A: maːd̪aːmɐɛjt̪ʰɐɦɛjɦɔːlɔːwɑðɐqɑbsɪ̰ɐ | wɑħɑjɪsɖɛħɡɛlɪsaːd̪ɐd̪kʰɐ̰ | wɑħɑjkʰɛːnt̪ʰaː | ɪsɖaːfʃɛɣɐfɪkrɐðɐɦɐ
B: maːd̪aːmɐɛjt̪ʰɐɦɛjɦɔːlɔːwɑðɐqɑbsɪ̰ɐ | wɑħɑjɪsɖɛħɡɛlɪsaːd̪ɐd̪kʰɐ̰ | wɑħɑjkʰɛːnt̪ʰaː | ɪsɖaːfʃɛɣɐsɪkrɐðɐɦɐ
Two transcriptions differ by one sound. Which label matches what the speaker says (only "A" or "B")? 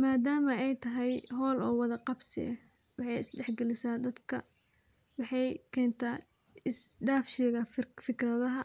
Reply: A